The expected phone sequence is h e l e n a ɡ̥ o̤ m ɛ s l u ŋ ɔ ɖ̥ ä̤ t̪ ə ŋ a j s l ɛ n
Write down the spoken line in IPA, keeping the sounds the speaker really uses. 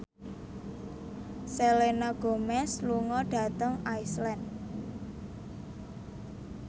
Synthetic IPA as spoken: s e l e n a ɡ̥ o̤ m ɛ s l u ŋ ɔ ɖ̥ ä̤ t̪ ə ŋ a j s l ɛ n